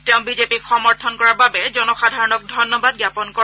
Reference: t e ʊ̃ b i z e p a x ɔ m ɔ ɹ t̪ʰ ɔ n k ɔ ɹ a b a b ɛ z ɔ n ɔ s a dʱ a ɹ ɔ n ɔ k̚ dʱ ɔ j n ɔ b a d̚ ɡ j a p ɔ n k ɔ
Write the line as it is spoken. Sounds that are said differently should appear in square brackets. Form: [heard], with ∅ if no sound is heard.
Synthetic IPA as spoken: t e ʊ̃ b i z e p [i] x ɔ m ɔ ɹ t̪ʰ ɔ n k ɔ ɹ a b a b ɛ z ɔ n ɔ [x] a dʱ a ɹ ɔ n ɔ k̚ dʱ ɔ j n ɔ b a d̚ ɡ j a p ɔ n k ɔ